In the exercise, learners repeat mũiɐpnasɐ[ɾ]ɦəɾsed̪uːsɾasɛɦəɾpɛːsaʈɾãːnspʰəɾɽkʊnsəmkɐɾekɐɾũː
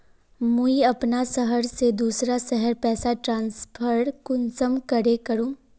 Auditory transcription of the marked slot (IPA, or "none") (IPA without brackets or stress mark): none